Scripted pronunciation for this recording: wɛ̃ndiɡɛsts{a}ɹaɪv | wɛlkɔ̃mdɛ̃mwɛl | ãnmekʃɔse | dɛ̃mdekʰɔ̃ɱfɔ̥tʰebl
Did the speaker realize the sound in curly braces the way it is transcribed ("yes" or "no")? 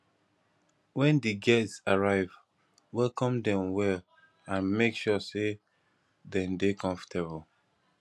yes